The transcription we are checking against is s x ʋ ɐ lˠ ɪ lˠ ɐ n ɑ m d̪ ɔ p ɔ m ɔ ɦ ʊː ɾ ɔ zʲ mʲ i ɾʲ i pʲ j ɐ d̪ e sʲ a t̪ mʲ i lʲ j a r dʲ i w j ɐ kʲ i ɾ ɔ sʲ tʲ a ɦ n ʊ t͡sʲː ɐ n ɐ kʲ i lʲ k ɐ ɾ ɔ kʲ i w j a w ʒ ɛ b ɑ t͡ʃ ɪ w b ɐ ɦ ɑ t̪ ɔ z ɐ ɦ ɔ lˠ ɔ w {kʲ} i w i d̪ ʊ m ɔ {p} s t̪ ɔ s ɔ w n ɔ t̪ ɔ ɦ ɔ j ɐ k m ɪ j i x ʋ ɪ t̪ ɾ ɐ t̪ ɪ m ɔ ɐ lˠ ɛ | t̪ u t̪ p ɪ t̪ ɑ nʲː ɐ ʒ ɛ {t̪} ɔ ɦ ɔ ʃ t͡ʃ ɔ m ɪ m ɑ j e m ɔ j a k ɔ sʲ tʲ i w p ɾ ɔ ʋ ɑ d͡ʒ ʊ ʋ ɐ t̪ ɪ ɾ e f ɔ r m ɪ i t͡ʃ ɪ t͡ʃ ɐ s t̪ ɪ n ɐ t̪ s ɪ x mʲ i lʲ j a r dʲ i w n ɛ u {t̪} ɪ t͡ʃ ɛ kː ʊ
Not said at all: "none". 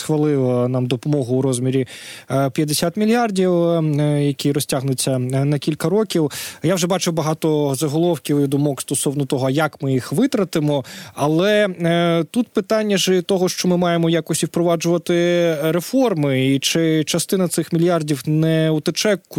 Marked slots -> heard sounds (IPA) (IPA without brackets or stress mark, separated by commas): kʲ, k, t̪, t̪